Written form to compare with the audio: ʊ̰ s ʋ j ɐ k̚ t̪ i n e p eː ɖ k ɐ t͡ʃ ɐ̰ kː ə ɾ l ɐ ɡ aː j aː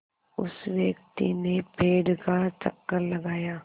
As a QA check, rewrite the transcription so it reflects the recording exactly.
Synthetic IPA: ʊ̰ s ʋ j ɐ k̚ t̪ i n e p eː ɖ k a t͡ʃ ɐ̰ kː ə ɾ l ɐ ɡ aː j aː